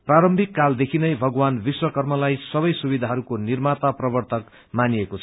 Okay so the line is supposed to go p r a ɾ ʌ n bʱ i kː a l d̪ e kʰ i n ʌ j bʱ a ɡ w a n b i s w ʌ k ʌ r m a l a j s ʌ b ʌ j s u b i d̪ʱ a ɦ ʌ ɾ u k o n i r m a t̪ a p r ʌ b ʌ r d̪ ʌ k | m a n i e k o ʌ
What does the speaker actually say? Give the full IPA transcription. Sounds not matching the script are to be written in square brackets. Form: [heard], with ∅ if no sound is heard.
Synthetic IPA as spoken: p r a ɾ ʌ [m] bʱ i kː a l d̪ e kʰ i n ʌ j bʱ [ʌ] ɡ w a n b i s w ʌ k ʌ r m [ʌ] l a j s ʌ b ʌ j s u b i d̪ʱ a ɦ ʌ ɾ u k o n i r m a t̪ a p r ʌ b ʌ r [t̪] ʌ k | m a n i e k o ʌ